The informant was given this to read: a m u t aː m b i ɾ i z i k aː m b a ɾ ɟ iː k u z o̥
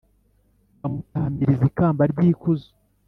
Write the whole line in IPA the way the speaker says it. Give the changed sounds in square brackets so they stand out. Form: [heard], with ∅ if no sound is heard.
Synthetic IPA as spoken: a m u t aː m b i ɾ i z i k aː m b a ɾ ɟ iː k u z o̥